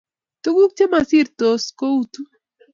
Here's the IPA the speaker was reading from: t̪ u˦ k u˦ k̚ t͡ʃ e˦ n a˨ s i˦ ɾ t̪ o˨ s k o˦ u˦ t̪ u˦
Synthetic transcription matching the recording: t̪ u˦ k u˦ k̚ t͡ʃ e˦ m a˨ s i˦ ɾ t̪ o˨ s k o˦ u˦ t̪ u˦